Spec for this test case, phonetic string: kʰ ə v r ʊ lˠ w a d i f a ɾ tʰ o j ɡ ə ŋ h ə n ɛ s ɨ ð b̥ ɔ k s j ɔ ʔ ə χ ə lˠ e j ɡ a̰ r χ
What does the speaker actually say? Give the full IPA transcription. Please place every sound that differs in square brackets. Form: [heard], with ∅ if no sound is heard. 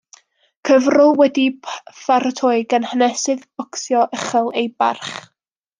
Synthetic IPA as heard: kʰ ə v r ʊ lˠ w [ɛ] d i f a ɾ tʰ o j ɡ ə [n] h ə n ɛ s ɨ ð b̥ ɔ k s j ɔ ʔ ə χ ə lˠ e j [b] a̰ r χ